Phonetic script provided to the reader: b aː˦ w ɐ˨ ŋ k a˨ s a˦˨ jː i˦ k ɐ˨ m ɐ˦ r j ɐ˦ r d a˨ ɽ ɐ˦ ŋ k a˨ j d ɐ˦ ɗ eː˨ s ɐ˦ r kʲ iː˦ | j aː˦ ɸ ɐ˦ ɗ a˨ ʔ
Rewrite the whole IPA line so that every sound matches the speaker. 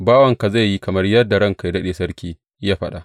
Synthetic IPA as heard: b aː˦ w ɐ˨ ŋ k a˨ z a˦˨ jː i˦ k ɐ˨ m ɐ˦ r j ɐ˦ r d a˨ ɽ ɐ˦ ŋ k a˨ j d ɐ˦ ɗ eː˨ s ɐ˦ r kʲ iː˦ | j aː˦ ɸ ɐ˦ ɗ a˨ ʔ